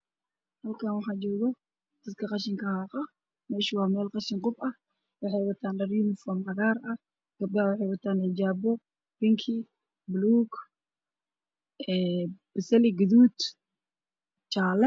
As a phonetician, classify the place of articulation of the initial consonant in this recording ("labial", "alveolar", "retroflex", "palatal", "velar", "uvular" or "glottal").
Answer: glottal